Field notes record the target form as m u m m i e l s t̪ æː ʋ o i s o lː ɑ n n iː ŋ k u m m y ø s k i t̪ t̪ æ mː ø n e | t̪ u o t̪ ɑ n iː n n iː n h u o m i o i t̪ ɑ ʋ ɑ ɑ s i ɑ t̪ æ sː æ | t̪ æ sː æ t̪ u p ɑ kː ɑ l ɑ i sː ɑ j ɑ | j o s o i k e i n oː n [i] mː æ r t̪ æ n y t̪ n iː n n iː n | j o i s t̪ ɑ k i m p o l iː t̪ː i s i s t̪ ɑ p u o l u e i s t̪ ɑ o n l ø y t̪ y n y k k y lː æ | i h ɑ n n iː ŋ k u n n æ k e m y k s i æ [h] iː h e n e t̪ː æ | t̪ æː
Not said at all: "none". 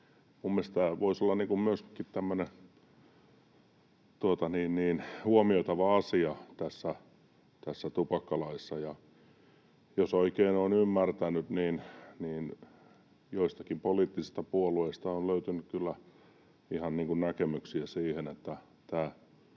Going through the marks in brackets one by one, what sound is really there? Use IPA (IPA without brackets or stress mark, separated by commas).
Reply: y, s